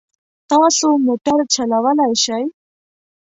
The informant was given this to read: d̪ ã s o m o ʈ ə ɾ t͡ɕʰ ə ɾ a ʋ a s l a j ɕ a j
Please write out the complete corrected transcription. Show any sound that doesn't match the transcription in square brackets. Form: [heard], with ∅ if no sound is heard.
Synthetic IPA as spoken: [t̪] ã s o m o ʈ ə ɾ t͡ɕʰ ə [l] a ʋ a [∅] l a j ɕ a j